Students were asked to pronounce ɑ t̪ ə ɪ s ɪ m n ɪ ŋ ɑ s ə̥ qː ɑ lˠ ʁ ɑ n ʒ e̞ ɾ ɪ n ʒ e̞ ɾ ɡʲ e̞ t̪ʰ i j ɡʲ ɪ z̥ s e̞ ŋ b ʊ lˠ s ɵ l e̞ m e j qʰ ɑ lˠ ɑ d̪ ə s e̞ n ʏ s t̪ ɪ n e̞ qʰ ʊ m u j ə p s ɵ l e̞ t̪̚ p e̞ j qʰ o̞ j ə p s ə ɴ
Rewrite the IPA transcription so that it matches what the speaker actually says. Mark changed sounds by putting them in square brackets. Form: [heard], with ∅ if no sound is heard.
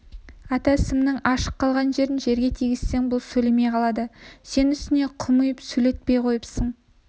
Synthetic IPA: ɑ t̪ [ɑ] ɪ s ɪ m n ɪ ŋ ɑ [ʃ] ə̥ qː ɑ lˠ ʁ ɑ n ʒ e̞ ɾ ɪ n ʒ e̞ ɾ ɡʲ e̞ t̪ʰ i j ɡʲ ɪ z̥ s e̞ ŋ b ʊ lˠ s ɵ l e̞ m e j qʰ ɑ lˠ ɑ d̪ ə s e̞ n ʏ s t̪ ɪ n e̞ qʰ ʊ m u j ə p s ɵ l e̞ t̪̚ p e̞ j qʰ o̞ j ə p s ə ɴ